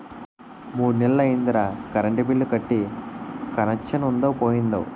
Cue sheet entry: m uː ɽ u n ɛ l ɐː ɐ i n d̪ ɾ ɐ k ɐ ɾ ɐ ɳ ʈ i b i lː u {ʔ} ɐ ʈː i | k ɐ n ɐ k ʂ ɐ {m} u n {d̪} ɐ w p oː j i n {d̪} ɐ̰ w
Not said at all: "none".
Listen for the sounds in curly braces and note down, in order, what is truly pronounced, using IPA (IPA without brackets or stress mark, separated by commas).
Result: k, n, d̪, d̪